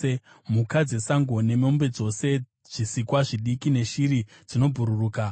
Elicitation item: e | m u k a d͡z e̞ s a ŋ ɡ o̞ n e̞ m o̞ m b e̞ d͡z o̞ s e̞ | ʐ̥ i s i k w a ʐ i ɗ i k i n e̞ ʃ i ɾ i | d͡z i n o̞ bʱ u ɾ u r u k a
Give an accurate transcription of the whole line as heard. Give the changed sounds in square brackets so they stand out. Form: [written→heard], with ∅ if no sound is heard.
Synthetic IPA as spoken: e | m u k a d͡z e̞ s a ŋ ɡ o̞ n e̞ m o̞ m b e̞ d͡z o̞ s e̞ | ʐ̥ i s i k w a ʐ i ɗ i k i n e̞ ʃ i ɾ i | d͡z i n o̞ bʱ u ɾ u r [u→uː] k a